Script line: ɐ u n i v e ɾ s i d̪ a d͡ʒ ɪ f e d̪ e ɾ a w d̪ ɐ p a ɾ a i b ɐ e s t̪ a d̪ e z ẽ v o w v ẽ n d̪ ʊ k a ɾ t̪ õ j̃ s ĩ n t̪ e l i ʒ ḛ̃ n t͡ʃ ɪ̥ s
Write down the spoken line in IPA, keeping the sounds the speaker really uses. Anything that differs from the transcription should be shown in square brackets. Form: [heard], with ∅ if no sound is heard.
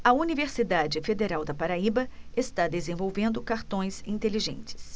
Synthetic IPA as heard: ɐ u n i v e ɾ s i d̪ a d͡ʒ ɪ f e d̪ e ɾ a w d̪ ɐ p a ɾ a i b ɐ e s t̪ a d̪ e z ẽ v o w v ẽ n d̪ ʊ k a ɾ t̪ õ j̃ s ĩ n t̪ e l i ʒ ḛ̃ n t͡ʃ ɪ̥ s